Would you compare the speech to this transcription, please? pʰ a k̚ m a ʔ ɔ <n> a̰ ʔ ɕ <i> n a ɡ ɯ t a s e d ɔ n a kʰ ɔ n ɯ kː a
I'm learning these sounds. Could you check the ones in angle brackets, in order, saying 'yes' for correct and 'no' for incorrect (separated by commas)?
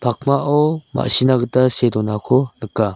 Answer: no, yes